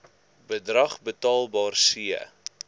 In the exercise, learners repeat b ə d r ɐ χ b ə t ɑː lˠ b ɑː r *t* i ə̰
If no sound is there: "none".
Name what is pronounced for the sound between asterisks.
s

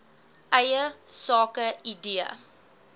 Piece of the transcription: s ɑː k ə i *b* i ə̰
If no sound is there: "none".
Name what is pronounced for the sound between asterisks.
d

